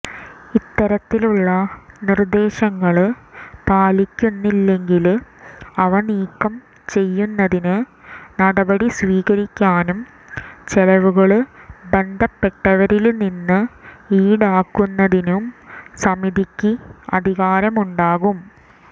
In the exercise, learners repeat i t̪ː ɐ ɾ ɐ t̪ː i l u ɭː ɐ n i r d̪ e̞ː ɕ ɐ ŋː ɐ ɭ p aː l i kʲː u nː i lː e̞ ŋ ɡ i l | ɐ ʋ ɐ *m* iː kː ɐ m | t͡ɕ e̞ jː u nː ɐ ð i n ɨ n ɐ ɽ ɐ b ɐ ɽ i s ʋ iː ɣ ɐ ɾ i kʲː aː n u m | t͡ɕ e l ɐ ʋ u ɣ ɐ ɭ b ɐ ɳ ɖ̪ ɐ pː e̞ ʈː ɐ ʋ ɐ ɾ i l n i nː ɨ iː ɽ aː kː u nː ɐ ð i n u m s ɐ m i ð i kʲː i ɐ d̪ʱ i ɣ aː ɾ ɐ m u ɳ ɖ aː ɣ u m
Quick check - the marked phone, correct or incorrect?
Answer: incorrect: ɳ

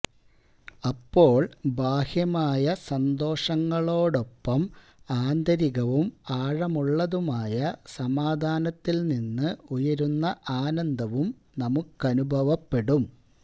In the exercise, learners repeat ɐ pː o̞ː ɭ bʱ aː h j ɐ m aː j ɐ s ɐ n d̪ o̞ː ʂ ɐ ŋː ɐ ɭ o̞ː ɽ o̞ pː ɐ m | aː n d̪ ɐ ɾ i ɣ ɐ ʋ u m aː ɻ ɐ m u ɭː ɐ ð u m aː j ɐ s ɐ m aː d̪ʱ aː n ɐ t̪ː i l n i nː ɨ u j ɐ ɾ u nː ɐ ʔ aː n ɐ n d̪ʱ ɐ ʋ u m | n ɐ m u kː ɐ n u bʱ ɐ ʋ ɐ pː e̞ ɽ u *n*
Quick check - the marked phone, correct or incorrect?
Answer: incorrect: m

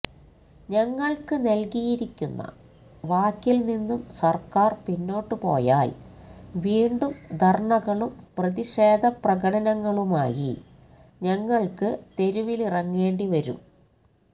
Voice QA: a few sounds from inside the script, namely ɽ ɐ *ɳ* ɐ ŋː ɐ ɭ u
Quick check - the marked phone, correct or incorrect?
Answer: incorrect: n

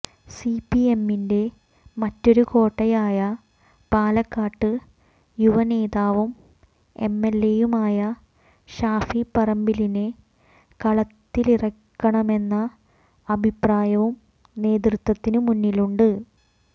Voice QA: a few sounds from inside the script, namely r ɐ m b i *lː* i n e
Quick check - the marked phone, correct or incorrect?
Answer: incorrect: l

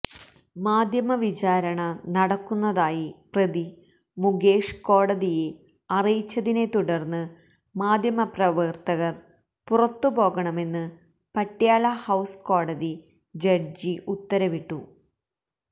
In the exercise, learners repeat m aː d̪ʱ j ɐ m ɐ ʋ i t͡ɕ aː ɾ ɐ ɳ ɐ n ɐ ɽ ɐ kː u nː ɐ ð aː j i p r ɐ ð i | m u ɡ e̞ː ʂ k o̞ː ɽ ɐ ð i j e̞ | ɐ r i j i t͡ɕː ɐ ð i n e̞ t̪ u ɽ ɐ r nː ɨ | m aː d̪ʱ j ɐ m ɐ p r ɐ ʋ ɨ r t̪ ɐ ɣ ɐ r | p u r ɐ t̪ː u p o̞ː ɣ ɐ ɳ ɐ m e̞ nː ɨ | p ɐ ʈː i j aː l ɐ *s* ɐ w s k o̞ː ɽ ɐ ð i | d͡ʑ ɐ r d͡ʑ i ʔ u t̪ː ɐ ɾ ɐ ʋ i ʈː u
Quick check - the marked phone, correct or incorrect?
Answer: incorrect: h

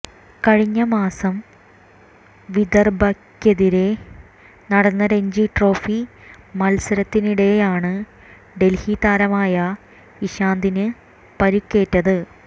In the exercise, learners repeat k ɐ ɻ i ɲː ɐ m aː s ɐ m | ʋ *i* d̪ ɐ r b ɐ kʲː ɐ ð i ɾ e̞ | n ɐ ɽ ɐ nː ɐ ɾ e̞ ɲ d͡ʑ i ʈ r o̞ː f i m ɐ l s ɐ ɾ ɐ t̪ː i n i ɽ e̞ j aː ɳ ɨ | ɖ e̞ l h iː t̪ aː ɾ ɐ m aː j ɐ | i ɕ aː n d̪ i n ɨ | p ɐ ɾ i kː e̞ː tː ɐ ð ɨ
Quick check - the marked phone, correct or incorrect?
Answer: correct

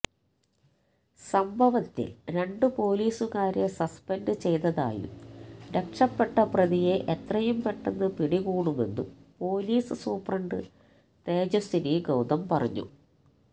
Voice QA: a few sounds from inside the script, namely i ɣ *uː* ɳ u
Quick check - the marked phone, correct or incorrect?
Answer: correct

